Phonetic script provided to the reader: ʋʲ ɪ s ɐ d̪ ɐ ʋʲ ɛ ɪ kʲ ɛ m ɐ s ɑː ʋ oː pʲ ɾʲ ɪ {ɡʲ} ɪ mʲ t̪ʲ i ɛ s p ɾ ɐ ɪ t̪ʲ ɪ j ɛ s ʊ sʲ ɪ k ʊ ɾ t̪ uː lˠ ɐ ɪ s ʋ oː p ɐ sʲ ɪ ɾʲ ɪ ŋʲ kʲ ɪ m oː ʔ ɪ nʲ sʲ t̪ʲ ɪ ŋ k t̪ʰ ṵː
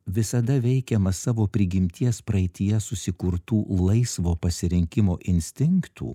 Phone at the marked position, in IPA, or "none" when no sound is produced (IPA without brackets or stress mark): ɡʲ